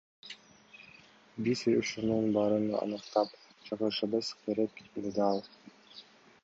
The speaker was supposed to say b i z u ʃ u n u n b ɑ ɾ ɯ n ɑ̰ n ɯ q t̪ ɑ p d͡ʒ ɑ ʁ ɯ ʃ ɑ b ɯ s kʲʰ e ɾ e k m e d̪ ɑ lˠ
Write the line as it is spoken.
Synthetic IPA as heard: b i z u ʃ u n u n b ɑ ɾ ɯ n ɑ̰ n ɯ q t̪ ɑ p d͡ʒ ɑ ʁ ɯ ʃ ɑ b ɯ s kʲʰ e ɾ e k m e d̪ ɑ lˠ